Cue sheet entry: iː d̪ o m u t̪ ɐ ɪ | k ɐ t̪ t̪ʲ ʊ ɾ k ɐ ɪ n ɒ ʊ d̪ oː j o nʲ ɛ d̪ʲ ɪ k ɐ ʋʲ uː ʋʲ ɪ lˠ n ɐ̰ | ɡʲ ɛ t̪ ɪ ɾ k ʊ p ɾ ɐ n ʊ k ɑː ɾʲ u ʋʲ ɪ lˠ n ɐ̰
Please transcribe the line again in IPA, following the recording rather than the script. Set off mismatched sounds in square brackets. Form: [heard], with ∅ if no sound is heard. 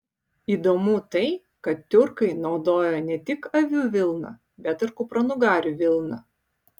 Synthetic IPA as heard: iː d̪ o m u t̪ ɐ ɪ | k ɐ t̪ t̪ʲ ʊ ɾ k ɐ ɪ n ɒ ʊ d̪ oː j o nʲ ɛ [t̪ʲ] ɪ k ɐ ʋʲ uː ʋʲ ɪ lˠ n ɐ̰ | [bʲ] ɛ t̪ ɪ ɾ k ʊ p ɾ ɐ n ʊ [ɡ] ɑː ɾʲ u ʋʲ ɪ lˠ n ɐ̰